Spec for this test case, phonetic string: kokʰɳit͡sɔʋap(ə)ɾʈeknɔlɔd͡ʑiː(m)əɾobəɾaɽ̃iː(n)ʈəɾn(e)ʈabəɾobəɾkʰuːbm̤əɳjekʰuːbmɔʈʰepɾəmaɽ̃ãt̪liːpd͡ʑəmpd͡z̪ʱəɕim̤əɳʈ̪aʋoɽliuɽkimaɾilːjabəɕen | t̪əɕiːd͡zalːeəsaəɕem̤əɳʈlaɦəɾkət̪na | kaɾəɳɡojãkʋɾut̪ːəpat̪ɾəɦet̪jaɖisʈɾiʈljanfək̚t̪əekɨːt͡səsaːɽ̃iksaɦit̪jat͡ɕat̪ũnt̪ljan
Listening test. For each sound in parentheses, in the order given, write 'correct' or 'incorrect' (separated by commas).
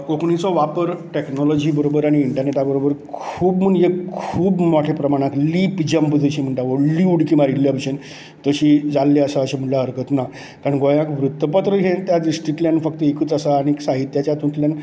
correct, incorrect, incorrect, correct